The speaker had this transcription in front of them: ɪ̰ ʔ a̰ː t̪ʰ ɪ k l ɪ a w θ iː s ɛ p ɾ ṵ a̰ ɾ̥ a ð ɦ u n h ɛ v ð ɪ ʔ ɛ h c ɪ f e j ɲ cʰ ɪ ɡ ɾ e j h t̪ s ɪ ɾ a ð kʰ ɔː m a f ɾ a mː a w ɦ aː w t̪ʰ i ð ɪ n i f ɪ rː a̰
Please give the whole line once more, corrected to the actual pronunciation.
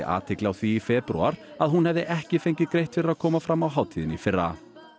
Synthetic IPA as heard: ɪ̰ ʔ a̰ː t̪ʰ ɪ k l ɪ a w θ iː f ɛ p ɾ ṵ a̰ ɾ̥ a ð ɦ u n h ɛ v ð ɪ ʔ ɛ h c ɪ f e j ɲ c ɪ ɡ ɾ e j h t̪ f ɪ ɾ a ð kʰ ɔː m a f ɾ a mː a w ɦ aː w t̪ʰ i ð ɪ n i f ɪ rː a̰